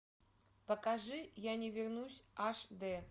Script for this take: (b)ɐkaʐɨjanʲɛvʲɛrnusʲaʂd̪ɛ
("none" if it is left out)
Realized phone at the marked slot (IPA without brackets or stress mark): p